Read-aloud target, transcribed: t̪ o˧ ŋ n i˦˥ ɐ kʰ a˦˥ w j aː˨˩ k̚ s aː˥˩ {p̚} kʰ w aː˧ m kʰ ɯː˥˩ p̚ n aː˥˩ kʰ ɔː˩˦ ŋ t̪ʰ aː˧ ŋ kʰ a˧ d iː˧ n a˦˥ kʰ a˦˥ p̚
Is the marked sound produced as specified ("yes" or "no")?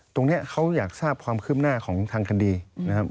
yes